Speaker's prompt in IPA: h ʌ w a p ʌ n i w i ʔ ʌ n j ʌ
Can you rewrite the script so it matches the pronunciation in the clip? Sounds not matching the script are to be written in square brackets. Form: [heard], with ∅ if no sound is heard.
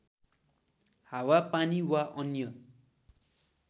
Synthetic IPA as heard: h [a] w a p [a] n i w [a] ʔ ʌ n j ʌ